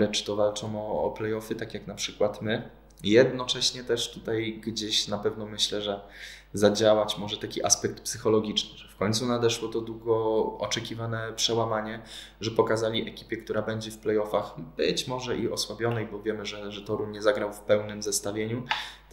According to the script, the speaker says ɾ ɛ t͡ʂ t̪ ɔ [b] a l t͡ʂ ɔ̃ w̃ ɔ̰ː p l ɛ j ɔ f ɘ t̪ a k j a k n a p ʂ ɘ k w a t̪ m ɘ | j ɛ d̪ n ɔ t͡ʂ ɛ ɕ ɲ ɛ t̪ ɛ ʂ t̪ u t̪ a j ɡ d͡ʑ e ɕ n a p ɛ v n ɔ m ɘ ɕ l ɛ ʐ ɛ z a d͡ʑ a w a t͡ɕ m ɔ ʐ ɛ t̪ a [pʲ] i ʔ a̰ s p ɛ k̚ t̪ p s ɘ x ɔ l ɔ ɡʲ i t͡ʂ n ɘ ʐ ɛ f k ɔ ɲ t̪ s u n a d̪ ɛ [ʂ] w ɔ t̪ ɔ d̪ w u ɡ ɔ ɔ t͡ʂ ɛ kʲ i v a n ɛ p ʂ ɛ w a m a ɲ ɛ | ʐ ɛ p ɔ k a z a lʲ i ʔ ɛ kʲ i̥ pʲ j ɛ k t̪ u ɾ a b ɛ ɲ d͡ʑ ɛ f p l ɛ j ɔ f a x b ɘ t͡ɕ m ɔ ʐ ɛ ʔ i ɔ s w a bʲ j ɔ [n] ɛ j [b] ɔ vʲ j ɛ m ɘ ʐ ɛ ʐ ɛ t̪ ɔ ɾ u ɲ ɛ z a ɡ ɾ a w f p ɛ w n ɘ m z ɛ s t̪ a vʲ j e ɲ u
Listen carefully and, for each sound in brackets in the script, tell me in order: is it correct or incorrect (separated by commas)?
incorrect, incorrect, correct, correct, correct